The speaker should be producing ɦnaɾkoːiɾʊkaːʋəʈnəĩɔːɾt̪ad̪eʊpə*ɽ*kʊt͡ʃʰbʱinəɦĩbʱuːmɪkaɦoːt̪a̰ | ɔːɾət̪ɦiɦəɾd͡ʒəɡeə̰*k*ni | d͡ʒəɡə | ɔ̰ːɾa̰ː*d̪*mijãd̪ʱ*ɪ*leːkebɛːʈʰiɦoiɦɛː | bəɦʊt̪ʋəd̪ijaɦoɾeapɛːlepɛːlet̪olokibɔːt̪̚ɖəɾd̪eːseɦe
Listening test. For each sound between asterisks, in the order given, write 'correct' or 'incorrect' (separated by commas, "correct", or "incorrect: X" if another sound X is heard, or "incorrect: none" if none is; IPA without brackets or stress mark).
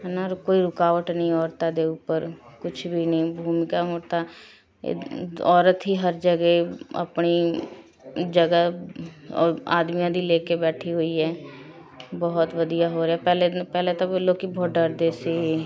incorrect: ɾ, incorrect: p, correct, incorrect: i